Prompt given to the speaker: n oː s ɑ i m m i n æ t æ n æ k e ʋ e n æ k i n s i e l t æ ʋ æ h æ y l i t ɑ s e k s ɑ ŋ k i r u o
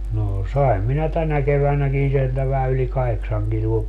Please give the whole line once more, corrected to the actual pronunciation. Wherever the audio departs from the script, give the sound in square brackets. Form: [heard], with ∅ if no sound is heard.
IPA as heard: n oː s ɑ i m m i n æ t æ n æ k e ʋ [æ] n æ k i n s i e l t æ ʋ æ h æ y l i [k] ɑ [h] e k s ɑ ŋ k i [l] u o